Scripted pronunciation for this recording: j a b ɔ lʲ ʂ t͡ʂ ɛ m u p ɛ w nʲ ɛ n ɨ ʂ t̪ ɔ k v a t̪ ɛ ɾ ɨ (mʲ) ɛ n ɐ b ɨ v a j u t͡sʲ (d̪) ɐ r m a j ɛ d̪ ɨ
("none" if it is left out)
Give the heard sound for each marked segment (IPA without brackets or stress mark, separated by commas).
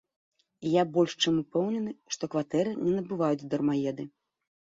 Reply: nʲ, d̪